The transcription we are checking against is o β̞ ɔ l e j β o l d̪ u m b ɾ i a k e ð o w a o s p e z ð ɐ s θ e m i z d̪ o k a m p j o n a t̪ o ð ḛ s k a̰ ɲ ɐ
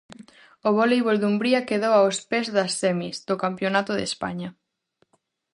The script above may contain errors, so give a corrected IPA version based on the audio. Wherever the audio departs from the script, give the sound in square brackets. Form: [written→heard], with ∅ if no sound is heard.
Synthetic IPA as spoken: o β̞ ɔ l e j β o l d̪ u m b ɾ i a k e ð o w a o s p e z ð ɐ s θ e m i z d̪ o k a m p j o n a t̪ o ð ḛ s [k→p] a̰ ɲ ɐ